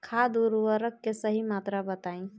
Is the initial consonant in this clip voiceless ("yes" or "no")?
yes